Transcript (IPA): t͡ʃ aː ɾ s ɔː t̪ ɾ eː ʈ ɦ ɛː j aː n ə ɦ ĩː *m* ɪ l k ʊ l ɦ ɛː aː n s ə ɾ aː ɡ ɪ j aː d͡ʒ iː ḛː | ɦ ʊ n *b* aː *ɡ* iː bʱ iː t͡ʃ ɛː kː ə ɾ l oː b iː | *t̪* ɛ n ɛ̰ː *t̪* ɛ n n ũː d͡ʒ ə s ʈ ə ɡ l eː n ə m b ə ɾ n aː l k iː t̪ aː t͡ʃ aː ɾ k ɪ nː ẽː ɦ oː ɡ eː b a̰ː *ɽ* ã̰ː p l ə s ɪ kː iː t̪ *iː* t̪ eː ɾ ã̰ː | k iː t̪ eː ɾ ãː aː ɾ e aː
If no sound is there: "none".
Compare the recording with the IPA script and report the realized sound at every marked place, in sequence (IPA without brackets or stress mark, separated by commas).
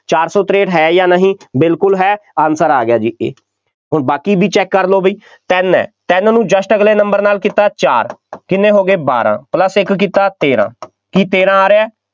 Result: b, b, k, t̪, t̪, ɾ, aː